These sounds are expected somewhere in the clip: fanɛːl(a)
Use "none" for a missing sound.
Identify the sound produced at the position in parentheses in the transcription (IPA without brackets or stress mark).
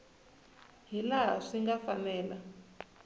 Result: a